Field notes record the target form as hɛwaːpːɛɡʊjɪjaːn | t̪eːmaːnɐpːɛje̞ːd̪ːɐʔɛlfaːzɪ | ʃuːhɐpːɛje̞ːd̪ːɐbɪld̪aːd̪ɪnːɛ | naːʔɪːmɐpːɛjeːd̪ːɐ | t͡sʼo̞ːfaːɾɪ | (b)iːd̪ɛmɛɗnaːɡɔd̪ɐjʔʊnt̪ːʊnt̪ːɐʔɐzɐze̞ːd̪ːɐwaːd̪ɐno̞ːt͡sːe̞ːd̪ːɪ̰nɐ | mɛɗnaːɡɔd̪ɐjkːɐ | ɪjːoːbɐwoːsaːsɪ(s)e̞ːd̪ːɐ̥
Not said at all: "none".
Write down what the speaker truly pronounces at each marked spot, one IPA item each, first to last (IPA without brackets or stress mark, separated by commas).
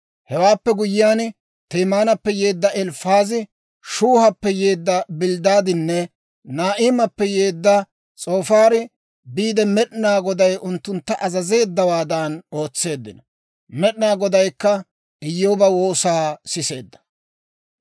b, s